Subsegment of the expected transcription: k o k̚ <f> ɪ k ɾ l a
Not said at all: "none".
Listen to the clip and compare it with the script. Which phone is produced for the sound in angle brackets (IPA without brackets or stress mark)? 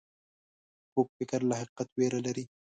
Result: f